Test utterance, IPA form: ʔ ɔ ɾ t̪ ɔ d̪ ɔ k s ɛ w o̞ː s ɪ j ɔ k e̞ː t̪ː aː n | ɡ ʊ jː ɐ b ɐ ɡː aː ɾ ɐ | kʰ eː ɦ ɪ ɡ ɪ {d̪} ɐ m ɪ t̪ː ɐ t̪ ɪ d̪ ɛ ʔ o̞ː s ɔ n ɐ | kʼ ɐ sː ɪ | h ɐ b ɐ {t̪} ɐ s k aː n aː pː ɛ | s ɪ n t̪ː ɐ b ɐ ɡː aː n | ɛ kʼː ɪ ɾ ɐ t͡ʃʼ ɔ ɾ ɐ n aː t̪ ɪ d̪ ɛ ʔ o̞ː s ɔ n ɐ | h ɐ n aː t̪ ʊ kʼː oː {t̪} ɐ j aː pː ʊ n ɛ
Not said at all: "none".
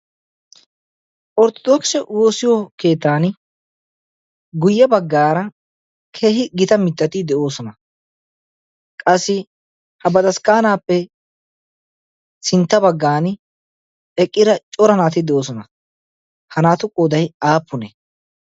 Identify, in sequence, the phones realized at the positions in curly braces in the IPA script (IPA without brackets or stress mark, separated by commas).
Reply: t̪, d̪, d̪